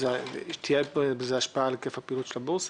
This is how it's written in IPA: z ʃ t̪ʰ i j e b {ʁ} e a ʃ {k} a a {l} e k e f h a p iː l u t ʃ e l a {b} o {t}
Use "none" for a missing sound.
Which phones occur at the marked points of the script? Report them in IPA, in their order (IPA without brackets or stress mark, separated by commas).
z, p, l, b, s